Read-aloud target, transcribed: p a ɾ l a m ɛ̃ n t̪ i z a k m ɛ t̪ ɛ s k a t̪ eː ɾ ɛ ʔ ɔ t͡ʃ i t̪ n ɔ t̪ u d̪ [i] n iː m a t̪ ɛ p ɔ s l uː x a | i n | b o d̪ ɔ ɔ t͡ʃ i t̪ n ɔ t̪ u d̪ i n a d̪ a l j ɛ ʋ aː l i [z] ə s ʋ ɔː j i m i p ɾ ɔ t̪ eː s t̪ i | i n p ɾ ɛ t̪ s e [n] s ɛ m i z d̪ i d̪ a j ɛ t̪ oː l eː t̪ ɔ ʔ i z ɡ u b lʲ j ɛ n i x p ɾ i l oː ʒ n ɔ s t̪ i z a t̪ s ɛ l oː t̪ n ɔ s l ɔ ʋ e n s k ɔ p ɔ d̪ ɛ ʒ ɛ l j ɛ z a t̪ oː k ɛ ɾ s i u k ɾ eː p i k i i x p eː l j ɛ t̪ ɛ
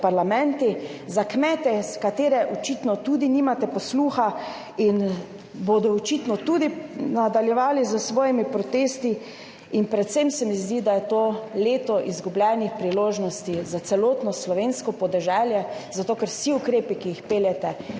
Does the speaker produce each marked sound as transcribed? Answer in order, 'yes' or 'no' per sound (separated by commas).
yes, yes, no